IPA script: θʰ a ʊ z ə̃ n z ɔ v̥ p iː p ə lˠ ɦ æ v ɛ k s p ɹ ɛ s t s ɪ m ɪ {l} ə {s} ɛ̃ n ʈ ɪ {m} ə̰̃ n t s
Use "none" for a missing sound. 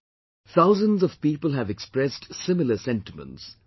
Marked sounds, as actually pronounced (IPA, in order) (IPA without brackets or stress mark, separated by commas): l, s, m